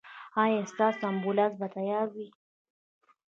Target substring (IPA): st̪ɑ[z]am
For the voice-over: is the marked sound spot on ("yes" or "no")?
no